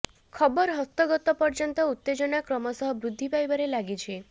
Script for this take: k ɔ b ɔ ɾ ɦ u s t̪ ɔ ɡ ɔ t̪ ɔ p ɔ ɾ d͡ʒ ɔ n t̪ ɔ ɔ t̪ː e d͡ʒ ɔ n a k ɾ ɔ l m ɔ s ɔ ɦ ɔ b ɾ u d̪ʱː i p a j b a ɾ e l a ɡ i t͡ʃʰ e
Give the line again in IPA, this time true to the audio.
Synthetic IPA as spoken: kʰ ɔ b ɔ ɾ ɦ ɔ s t̪ ɔ ɡ ɔ t̪ ɔ p ɔ ɾ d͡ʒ ɔ n t̪ ɔ u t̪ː e d͡ʒ ɔ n a k ɾ ɔ m ɔ s ɔ ɦ ɔ b ɾ u d̪ʱː i p a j b a ɾ e l a ɡ i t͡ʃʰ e